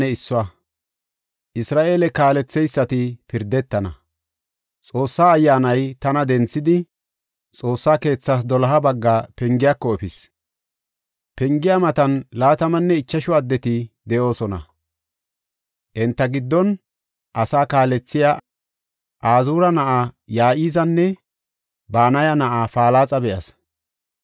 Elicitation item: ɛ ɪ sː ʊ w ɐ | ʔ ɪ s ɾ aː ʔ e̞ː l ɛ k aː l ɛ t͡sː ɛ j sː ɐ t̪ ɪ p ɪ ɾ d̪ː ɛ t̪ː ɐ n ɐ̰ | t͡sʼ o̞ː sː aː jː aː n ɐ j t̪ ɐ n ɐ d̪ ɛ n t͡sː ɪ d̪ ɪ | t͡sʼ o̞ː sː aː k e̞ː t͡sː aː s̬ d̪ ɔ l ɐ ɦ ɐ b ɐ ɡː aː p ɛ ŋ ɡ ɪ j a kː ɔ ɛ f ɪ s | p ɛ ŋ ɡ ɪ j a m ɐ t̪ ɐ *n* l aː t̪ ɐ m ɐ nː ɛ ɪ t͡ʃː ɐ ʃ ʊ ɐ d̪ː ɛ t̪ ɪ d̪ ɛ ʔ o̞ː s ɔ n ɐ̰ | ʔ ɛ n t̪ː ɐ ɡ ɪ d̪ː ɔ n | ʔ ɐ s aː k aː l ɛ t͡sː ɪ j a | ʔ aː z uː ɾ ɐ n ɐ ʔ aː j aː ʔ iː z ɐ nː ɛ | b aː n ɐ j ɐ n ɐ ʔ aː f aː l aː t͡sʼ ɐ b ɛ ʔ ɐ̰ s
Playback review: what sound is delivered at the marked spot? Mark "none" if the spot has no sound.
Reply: n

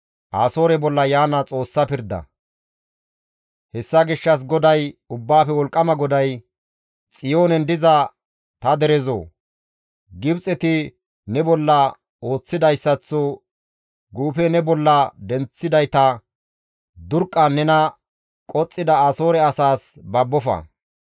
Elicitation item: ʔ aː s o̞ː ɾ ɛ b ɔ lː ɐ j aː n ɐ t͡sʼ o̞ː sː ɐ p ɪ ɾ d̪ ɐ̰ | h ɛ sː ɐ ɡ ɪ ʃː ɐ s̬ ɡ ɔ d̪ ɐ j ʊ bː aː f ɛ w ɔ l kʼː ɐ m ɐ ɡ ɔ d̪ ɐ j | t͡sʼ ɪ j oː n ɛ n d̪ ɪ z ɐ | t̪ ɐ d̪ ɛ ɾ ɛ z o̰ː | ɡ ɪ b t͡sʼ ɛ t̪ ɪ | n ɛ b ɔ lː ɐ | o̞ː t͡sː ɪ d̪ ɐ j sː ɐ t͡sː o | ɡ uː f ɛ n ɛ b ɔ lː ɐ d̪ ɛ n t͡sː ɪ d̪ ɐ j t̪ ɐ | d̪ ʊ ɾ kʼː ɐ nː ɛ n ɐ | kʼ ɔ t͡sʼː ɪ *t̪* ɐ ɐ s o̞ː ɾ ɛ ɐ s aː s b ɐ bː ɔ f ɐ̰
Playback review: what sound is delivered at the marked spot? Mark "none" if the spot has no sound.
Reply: d̪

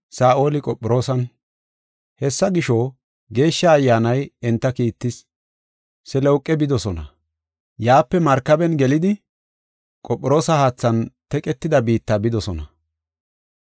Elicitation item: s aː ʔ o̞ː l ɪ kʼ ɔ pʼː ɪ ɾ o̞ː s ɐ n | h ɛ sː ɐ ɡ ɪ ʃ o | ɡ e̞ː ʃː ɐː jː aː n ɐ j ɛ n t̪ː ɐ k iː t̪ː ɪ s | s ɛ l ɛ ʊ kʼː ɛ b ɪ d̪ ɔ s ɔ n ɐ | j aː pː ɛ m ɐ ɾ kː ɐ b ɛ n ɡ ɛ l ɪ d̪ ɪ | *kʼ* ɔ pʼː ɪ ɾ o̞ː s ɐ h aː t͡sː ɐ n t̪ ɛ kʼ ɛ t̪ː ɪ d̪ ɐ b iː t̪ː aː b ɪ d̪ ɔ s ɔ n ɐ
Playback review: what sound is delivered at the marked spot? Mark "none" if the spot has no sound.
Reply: kʼ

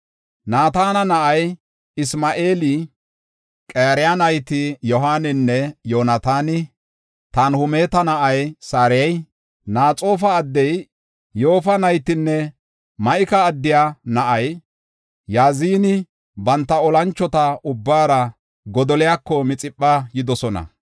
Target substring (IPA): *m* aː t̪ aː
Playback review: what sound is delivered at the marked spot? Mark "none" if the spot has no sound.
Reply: n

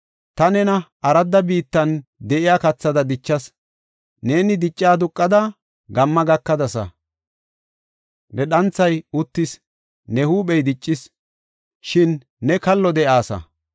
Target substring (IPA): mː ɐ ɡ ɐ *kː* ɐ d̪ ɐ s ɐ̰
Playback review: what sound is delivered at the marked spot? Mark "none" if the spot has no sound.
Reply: kː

